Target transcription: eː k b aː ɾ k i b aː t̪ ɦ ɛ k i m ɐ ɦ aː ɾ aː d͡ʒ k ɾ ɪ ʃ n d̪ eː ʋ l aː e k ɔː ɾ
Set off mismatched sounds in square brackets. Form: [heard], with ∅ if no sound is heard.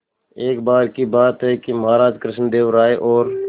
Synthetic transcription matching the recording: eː k b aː ɾ k i b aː t̪ ɦ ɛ k i m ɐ ɦ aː ɾ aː d͡ʒ k ɾ ɪ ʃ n d̪ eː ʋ [ɾ] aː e [ʔ] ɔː ɾ

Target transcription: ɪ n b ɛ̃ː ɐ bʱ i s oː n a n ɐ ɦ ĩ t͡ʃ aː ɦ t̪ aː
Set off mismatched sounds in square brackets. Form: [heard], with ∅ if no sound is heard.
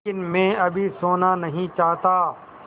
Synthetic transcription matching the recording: ɪ n [m] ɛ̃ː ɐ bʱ i s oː n a n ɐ ɦ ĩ t͡ʃ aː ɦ t̪ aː

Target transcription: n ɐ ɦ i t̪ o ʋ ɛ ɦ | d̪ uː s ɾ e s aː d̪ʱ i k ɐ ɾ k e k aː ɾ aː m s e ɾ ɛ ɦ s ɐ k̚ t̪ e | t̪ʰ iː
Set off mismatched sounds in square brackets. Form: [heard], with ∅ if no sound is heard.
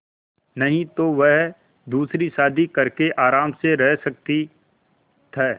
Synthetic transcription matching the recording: n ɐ ɦ [ĩ] t̪ o ʋ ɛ ɦ | d̪ uː s ɾ [i] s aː d̪ʱ i k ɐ ɾ k e [ʔ] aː ɾ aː m s e ɾ ɛ ɦ s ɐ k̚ t̪ [i] | t̪ʰ [ɛː]

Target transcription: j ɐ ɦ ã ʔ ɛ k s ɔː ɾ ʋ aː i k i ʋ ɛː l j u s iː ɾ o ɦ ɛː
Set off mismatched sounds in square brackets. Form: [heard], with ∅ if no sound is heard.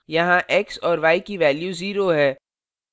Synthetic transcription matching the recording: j ɐ ɦ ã ʔ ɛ k s ɔː ɾ ʋ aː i k i ʋ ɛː l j u [z] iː ɾ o ɦ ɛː

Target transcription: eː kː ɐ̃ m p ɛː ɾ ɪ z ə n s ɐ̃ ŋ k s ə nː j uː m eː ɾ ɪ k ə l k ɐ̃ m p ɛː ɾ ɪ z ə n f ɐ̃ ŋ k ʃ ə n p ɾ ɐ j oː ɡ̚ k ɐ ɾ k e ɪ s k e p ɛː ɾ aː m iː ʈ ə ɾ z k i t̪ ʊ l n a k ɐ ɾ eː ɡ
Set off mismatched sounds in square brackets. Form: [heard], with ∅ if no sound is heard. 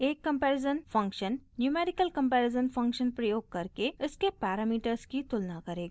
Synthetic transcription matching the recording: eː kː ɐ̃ m p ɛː ɾ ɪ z ə n [f] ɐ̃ ŋ k [ʃ] ə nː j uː m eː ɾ ɪ k ə l k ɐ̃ m p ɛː ɾ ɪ z ə n f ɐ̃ ŋ k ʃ ə n p ɾ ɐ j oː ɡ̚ k ɐ ɾ k e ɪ s k e p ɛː ɾ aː m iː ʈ ə ɾ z k i t̪ ʊ l n a k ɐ ɾ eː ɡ

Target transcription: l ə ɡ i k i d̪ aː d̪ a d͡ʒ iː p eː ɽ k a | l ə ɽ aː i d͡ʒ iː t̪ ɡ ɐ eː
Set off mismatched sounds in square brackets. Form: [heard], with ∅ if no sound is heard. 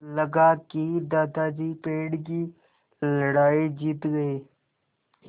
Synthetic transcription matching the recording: l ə ɡ [a] k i d̪ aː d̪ a d͡ʒ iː p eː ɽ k [i] | l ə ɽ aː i d͡ʒ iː t̪ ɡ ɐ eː

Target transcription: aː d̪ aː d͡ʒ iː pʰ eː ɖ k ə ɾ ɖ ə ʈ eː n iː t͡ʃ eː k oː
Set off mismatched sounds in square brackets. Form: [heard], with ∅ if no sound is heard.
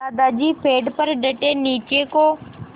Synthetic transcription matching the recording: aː d̪ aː d͡ʒ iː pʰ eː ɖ [p] ə ɾ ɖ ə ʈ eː n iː t͡ʃ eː k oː

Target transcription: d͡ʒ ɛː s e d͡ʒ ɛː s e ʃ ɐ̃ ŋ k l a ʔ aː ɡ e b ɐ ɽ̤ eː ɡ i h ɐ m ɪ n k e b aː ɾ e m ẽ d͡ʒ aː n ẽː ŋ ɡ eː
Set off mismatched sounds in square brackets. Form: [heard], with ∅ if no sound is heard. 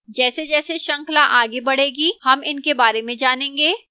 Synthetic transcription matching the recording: d͡ʒ ɛː s e d͡ʒ ɛː s e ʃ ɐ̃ ŋ k l a ʔ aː ɡ e b ɐ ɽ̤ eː ɡ i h ɐ m ɪ n k e b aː ɾ e m ẽ d͡ʒ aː n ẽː ŋ ɡ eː

